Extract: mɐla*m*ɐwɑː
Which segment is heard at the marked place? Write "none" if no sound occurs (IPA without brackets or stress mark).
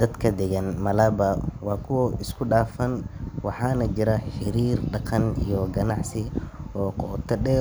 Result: b